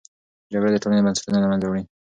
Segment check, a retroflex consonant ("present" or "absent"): present